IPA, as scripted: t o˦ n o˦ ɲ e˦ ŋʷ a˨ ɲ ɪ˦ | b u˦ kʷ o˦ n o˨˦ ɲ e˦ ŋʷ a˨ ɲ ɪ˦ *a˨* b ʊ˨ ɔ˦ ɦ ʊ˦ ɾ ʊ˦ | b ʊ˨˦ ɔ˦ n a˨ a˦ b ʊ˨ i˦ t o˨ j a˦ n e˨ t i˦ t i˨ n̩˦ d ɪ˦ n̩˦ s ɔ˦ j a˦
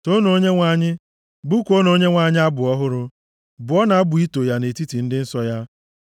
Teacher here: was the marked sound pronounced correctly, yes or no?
no